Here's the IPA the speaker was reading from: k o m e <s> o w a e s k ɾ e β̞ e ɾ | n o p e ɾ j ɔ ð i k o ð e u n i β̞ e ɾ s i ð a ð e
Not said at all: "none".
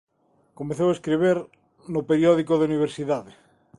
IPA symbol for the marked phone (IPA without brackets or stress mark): θ